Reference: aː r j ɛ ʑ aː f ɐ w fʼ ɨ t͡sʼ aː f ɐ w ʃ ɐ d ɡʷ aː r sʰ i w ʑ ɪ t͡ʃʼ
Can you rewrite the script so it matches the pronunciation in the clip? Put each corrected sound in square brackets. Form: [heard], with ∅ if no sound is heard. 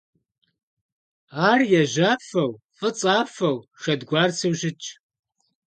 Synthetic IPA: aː r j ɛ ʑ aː f ɐ w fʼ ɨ t͡sʼ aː f ɐ w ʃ ɐ d ɡʷ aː r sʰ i w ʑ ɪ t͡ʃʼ

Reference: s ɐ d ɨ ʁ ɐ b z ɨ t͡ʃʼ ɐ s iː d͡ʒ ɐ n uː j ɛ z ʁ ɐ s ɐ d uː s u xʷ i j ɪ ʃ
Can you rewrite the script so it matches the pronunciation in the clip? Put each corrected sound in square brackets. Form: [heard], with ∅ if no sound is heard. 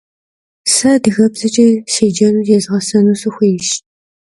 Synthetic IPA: s ɐ d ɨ [ɣ] ɐ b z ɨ t͡ʃʼ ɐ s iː d͡ʒ ɐ n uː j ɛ z ʁ ɐ s ɐ [n] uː s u xʷ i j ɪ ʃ

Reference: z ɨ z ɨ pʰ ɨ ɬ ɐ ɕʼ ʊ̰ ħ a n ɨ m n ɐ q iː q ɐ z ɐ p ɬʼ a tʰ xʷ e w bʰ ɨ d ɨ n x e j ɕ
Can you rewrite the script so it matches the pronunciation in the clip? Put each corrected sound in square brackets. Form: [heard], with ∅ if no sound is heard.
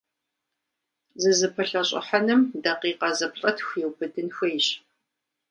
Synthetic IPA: z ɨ z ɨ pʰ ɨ ɬ ɐ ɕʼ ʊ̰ ħ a n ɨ m [d] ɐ q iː q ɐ z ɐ p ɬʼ [ɐ] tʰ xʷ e w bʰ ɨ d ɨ n x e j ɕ

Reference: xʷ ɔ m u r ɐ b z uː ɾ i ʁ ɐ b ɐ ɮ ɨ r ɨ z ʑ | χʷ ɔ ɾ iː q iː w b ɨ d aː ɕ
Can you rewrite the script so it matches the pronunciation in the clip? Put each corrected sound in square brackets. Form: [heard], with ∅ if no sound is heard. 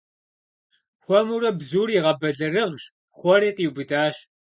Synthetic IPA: xʷ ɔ m u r ɐ b z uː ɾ i ʁ ɐ b ɐ ɮ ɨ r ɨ [ʁ] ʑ | χʷ ɔ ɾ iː q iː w b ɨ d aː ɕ

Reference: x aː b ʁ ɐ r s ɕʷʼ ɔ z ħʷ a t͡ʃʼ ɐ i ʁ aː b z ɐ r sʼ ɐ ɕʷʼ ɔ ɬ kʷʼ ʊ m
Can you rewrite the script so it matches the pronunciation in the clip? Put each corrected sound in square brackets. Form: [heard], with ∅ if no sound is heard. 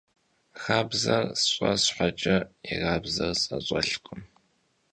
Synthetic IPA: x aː b [z] ɐ r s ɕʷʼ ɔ [s] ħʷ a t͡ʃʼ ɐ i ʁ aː b z ɐ r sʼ ɐ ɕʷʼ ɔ ɬ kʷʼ ʊ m

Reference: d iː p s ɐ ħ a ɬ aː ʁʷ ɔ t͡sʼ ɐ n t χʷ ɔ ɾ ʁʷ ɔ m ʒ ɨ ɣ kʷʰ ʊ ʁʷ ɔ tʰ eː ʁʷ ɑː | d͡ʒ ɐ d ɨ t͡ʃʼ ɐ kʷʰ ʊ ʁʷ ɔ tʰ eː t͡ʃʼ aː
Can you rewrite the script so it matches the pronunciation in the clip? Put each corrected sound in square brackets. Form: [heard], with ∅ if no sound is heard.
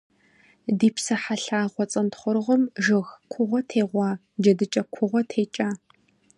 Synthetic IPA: d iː p s ɐ ħ a ɬ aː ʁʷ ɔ t͡sʼ ɐ n t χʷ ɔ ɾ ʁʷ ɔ m ʒ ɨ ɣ kʷʰ ʊ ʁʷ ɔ tʰ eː ʁʷ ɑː | d͡ʒ ɐ d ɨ t͡ʃʼ ɐ kʷʰ ʊ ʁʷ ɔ tʰ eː t͡ʃʼ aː

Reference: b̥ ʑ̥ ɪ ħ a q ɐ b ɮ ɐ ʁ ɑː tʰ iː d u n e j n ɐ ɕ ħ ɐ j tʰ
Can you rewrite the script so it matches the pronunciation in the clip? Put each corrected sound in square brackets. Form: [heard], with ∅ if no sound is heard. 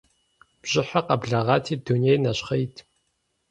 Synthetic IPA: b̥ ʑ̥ ɪ ħ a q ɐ b ɮ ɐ ʁ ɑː tʰ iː d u n e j n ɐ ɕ [χ] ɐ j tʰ

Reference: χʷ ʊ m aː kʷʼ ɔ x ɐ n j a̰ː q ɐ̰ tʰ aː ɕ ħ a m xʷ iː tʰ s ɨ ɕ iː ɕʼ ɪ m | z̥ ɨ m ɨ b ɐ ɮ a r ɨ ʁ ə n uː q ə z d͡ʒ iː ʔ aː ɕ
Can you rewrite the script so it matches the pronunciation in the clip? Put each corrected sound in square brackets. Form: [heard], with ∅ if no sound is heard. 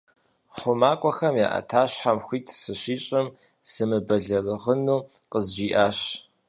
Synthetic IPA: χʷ ʊ m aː kʷʼ ɔ x ɐ [m] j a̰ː [ʔ] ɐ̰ tʰ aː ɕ ħ a m xʷ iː tʰ s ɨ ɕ iː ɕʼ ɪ m | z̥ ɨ m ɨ b ɐ ɮ [ɐ] r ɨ ʁ ə n uː q ə z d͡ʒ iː ʔ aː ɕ

